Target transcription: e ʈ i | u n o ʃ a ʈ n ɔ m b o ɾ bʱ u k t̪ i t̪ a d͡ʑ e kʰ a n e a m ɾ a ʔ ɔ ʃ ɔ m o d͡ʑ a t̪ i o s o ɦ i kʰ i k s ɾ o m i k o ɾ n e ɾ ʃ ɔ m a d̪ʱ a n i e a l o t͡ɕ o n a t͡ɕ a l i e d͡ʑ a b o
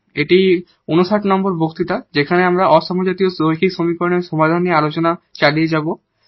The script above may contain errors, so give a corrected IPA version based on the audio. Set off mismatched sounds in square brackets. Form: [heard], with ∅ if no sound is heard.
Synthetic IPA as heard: e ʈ i | u n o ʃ a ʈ n ɔ m b o ɾ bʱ [o] k t̪ i t̪ a d͡ʑ e kʰ a n e a m ɾ a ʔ ɔ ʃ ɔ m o d͡ʑ a t̪ i o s o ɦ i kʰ i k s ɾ o m i k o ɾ n e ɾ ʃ ɔ m a d̪ʱ a n i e a l o t͡ɕ o n a t͡ɕ a l i e d͡ʑ a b o

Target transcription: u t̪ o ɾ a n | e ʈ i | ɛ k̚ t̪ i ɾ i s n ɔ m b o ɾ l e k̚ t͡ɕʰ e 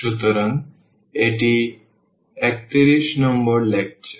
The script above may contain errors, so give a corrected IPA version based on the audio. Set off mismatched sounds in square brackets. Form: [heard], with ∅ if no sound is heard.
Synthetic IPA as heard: u t̪ o ɾ a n | e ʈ i | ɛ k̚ t̪ i ɾ i [ʃ] n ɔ m b o ɾ l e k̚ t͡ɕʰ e

